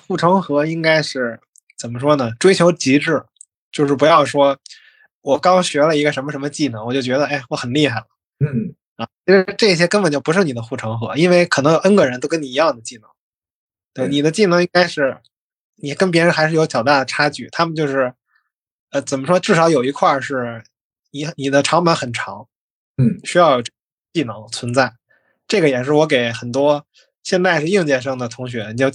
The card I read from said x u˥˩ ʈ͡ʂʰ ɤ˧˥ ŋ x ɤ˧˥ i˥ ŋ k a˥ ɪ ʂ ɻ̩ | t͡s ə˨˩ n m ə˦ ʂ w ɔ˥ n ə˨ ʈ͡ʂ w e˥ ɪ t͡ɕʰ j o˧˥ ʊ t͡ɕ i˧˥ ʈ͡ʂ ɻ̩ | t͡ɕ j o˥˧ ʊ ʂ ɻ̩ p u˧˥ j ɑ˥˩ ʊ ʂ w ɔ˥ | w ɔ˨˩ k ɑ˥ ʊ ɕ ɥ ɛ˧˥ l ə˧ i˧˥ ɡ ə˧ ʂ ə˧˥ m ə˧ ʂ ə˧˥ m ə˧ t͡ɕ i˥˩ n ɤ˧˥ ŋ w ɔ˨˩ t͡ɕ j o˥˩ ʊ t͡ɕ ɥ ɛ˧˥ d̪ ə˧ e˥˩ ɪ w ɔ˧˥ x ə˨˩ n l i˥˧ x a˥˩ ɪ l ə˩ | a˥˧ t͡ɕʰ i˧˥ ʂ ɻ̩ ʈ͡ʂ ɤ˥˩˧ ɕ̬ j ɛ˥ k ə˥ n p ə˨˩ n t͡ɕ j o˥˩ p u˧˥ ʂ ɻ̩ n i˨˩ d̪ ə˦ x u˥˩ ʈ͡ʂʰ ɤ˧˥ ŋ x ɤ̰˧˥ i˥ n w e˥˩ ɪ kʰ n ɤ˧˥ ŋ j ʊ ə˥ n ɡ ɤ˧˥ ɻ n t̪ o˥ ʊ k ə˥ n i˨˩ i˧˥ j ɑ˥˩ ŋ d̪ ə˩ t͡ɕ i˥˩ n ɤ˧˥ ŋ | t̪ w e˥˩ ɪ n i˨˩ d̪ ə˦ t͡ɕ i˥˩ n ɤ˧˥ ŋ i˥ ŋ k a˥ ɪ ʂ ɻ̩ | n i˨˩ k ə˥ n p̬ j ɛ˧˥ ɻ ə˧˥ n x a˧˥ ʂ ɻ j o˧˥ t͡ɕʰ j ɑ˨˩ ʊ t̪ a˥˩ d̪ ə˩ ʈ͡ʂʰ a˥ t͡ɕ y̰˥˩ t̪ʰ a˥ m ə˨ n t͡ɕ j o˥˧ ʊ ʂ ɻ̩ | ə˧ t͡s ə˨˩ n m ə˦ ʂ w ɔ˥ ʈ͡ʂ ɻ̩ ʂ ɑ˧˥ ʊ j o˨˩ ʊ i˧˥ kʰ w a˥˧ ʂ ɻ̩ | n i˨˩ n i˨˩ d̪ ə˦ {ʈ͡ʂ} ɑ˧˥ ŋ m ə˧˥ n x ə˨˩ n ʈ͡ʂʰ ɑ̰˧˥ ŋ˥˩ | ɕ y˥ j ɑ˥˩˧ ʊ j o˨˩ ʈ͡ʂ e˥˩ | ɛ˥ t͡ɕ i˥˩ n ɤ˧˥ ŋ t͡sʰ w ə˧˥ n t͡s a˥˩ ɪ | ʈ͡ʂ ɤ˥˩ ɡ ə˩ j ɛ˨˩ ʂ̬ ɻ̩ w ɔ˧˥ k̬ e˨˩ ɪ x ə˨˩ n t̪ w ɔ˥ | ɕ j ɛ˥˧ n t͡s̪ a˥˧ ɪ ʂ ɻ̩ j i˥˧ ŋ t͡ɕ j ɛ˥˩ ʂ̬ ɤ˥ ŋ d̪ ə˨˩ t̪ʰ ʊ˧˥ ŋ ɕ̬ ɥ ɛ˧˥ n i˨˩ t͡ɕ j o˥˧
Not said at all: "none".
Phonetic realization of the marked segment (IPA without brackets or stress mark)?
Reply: ʈ͡ʂʰ